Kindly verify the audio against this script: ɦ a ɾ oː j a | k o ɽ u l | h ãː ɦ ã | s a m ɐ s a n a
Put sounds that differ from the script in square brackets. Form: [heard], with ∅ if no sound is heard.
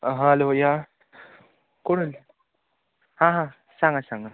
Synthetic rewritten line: ɦ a [l] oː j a | k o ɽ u l | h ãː ɦ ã | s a [ŋ] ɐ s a [ŋ] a

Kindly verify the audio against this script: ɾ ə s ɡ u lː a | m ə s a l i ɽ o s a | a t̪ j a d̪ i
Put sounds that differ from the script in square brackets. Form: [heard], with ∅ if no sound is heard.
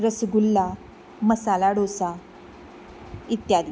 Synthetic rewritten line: ɾ ə s ɡ u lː a | m ə s a l [a] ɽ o s a | [i] t̪ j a d̪ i

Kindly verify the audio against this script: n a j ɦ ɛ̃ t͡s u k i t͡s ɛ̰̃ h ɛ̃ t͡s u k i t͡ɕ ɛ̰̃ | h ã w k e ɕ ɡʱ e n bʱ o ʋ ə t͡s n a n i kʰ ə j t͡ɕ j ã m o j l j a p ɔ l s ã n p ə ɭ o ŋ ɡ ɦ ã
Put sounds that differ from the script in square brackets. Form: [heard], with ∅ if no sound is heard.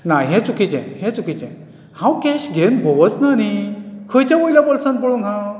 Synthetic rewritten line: n a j ɦ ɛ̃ t͡s u k i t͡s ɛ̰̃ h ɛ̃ t͡s u k i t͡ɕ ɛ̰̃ | h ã w k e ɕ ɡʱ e n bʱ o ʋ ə t͡s n a n i kʰ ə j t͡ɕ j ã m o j l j a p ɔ l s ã n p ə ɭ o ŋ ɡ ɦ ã

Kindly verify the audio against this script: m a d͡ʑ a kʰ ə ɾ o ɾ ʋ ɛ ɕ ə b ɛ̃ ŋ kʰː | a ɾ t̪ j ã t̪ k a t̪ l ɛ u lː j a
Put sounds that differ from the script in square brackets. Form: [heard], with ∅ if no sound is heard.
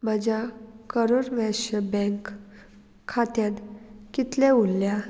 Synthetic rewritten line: m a d͡ʑ a [k] ə ɾ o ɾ ʋ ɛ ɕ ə b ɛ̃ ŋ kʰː | a [∅] t̪ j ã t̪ k [i] t̪ l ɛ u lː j a

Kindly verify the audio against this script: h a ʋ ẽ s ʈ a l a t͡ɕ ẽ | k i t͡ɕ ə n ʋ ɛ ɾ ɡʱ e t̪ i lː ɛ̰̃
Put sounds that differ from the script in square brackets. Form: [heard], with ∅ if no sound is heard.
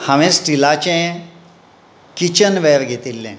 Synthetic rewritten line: h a ʋ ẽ s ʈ [i] l a t͡ɕ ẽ | k i t͡ɕ ə n ʋ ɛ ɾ ɡʱ e t̪ i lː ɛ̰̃

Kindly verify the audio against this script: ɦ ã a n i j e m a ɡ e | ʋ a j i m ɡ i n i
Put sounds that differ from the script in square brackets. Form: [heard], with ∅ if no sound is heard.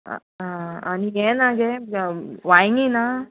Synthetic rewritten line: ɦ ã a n i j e [n] a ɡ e | ʋ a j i [ŋ] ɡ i n [a]

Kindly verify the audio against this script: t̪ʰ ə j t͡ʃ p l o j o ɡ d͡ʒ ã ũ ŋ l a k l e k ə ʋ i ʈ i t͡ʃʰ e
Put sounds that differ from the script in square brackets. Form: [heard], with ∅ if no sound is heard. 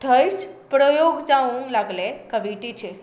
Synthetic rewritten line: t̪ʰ ə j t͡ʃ p [ɾ] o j o ɡ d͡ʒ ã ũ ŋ l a [ɡ] l e k ə ʋ i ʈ i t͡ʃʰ e

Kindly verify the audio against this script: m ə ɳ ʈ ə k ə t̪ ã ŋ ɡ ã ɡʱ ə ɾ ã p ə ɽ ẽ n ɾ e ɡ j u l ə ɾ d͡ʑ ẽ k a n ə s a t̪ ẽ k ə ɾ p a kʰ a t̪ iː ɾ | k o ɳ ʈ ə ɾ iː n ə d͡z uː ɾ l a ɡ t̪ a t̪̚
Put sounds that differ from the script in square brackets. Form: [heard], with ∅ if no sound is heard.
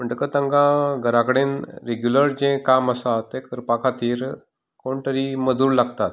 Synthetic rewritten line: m ə ɳ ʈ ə k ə t̪ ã ŋ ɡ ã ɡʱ ə ɾ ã [k] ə ɽ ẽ n ɾ e ɡ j u l ə ɾ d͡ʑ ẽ k a [m] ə s a t̪ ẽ k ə ɾ p a kʰ a t̪ iː ɾ | k o ɳ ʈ ə ɾ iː [m] ə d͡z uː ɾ l a ɡ t̪ a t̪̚

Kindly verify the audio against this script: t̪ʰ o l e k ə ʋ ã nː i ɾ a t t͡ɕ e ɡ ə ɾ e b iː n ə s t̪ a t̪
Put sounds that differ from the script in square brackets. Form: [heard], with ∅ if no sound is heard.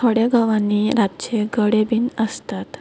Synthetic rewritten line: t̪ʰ o [ɽ] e [ɡ] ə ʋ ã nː i ɾ a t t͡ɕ e ɡ ə [ɽ] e b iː n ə s t̪ a t̪

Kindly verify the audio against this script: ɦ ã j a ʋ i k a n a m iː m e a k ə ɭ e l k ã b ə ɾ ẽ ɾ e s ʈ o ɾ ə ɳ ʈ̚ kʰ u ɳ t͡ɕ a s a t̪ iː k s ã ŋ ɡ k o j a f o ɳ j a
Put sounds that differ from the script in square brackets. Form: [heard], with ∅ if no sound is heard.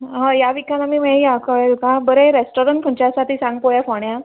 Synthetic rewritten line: ɦ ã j a ʋ i k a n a m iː m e a k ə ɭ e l k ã b ə ɾ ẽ ɾ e s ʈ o ɾ ə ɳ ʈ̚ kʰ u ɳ t͡ɕ a s a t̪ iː [∅] s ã ŋ ɡ [p] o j a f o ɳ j a

